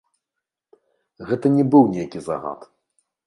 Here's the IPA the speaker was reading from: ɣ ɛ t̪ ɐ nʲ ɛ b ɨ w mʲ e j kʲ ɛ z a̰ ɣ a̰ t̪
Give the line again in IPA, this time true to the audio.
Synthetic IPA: ɣ ɛ t̪ ɐ nʲ ɛ b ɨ w nʲ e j kʲ i z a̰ ɣ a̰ t̪